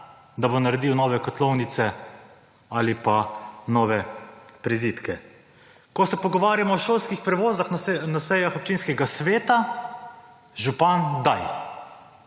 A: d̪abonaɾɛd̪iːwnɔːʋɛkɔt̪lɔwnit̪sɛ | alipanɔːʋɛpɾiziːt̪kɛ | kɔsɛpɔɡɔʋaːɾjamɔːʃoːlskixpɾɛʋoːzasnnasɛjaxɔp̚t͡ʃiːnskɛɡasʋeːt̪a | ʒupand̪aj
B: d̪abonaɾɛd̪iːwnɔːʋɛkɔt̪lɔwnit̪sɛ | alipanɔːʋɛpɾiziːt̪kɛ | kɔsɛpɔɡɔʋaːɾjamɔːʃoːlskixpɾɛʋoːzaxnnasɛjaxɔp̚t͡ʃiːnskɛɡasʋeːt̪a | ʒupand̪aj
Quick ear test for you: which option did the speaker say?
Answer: B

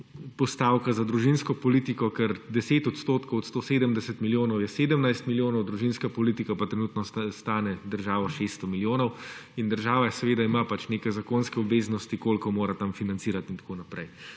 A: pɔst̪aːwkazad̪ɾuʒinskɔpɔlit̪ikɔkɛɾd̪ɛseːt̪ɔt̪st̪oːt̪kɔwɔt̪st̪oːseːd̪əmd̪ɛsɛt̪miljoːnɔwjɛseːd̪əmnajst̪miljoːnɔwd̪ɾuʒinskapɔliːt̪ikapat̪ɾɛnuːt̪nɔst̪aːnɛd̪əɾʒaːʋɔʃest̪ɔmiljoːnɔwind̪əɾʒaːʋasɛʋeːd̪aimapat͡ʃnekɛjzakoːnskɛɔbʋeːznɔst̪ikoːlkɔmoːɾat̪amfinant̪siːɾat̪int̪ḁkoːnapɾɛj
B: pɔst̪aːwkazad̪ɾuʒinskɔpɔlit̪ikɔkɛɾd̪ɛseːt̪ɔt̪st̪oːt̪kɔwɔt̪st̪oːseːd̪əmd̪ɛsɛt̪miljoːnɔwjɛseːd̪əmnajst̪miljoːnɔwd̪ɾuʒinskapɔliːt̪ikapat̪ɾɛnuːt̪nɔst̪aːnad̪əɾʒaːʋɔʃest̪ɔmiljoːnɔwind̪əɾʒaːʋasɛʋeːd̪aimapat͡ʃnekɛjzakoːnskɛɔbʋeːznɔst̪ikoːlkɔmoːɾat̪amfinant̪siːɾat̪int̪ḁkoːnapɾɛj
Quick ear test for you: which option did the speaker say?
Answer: A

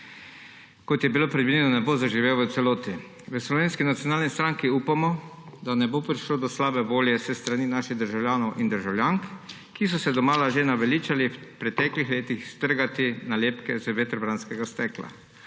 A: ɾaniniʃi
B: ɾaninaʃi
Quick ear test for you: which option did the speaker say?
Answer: B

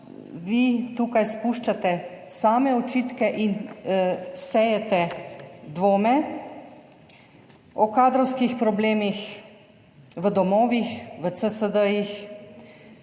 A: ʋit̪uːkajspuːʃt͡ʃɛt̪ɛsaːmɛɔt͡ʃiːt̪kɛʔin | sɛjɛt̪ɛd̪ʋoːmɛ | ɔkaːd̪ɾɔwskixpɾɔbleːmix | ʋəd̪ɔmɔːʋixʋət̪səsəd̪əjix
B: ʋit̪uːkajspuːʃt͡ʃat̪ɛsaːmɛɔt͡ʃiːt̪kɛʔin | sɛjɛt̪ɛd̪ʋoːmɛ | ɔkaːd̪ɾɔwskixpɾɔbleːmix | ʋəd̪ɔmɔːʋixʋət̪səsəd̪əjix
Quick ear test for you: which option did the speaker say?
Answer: B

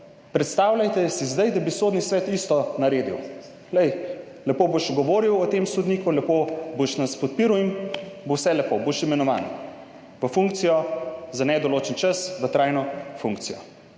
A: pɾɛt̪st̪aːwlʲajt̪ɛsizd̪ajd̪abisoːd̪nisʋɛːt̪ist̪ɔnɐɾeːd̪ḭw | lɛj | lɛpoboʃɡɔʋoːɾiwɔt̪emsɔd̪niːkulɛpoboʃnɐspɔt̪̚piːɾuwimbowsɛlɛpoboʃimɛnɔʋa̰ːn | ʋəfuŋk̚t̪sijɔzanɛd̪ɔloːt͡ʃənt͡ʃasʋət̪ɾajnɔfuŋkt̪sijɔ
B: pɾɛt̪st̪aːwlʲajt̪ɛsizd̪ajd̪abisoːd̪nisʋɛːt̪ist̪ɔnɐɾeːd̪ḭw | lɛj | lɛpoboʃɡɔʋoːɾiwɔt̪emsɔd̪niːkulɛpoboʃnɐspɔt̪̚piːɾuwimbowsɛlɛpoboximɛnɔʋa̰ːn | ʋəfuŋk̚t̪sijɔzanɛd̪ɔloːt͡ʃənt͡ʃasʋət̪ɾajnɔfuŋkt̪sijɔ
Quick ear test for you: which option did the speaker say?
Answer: A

